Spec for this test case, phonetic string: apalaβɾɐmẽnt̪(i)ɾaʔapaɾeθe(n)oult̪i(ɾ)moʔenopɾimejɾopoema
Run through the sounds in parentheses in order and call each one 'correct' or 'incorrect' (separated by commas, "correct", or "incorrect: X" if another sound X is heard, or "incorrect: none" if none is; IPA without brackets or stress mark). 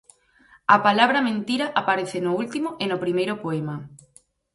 correct, correct, incorrect: none